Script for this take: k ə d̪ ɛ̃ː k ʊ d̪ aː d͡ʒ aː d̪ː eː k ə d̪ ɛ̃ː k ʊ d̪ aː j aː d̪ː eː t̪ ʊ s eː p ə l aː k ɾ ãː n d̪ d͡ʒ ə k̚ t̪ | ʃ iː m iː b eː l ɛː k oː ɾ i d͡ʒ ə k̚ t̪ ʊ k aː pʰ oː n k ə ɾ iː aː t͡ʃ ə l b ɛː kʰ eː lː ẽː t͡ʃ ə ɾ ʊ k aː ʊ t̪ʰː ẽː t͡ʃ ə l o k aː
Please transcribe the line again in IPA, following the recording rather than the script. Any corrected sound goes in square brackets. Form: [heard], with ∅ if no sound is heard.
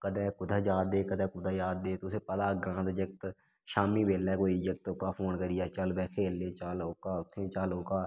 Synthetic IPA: k ə d̪ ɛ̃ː k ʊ d̪ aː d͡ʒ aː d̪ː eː k ə d̪ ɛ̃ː k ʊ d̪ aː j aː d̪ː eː t̪ ʊ s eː p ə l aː [ɡ] ɾ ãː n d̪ d͡ʒ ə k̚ t̪ | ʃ [aː] m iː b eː l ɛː k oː [∅] i d͡ʒ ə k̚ t̪ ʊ k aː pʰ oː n k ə ɾ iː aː t͡ʃ ə l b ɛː kʰ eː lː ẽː t͡ʃ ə [l] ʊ k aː ʊ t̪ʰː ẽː t͡ʃ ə l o k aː